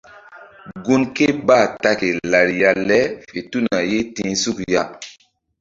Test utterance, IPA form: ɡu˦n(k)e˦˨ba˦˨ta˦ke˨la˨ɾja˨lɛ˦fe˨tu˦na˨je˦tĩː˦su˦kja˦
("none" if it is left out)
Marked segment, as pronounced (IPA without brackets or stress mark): k